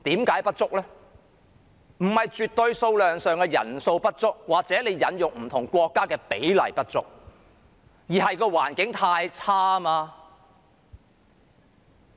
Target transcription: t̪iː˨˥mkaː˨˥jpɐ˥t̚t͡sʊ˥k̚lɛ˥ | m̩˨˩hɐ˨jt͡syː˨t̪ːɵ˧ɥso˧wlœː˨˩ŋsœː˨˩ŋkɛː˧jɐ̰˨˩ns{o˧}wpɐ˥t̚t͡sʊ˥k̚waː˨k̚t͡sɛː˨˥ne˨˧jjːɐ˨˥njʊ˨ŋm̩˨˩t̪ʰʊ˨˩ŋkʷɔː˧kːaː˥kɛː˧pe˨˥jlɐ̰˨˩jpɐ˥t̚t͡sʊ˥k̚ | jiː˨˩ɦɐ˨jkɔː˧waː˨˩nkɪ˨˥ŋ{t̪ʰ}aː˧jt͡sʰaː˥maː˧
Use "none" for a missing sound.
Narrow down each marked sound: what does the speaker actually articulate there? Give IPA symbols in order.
o˧, t̪ʰ

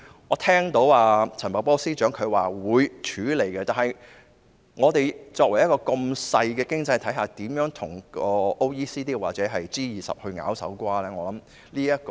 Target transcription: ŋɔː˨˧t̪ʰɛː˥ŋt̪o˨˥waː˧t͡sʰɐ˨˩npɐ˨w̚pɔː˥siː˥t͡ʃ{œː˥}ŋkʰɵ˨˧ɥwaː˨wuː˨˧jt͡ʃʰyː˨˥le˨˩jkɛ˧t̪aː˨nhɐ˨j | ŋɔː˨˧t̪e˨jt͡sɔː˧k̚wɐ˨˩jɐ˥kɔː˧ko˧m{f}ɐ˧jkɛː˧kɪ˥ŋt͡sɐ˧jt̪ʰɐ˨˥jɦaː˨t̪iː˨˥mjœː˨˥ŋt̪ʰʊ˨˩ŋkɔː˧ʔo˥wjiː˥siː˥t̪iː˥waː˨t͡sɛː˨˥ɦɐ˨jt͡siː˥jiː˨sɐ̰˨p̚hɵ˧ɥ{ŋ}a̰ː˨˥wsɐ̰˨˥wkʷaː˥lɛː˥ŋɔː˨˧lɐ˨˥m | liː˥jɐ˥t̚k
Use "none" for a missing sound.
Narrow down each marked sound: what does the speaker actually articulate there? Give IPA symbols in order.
œː˨˥, s, ŋ

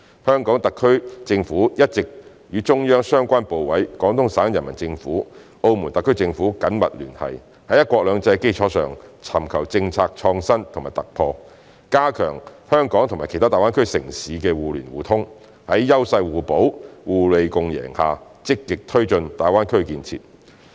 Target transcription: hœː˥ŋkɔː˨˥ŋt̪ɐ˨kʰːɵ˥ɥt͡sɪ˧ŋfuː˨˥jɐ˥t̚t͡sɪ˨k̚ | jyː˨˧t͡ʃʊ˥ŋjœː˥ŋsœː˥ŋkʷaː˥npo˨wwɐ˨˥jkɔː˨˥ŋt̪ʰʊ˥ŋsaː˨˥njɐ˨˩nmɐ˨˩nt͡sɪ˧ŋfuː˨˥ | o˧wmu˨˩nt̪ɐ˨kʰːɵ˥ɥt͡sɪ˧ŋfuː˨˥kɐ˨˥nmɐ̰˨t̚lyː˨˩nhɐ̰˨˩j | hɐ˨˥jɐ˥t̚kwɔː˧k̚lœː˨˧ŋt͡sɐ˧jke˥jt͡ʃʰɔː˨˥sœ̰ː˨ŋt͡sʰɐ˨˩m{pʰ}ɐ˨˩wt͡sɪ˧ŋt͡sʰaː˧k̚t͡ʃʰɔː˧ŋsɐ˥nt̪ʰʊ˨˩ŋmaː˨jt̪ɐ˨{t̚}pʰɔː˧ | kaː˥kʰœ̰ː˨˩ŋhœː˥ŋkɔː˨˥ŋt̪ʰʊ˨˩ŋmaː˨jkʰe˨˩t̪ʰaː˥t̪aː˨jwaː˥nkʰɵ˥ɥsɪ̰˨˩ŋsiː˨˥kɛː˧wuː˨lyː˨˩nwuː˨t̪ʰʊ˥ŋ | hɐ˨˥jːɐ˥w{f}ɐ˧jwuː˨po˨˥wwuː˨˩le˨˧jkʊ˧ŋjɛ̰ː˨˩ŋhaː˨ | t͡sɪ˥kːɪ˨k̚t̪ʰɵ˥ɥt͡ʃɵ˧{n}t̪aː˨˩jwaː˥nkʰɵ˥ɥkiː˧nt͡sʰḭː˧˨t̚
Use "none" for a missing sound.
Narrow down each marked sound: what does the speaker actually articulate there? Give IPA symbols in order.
kʰ, k̚, s, n

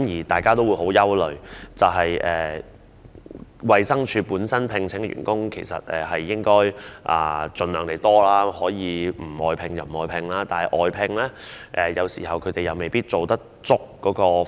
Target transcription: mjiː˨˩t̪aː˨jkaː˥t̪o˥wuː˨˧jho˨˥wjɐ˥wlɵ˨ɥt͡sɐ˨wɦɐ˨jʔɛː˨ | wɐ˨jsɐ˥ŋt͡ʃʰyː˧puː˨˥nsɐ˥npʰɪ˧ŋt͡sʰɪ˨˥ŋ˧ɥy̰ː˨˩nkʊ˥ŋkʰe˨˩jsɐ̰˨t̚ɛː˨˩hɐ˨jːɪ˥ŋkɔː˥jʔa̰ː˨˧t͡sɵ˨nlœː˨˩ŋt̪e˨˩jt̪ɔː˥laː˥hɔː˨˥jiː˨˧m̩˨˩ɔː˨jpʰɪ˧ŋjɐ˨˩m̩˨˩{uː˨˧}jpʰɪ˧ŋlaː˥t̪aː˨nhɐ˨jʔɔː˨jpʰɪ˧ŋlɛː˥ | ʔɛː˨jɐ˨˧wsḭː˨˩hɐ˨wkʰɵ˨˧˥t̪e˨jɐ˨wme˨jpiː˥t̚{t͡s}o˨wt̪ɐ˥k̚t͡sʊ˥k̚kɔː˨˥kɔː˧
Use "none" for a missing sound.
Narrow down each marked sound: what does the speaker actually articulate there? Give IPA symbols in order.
ɔː˨˧, t͡s

